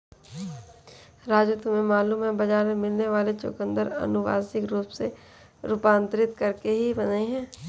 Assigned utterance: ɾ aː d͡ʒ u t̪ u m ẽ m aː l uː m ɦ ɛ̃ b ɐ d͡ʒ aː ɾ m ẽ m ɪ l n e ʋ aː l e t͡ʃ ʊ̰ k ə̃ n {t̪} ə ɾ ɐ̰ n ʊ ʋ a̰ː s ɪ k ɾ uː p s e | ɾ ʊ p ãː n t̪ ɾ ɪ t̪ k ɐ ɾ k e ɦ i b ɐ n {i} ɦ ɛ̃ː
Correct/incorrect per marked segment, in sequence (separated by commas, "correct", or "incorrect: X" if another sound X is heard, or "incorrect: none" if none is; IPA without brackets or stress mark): incorrect: d̪, incorrect: e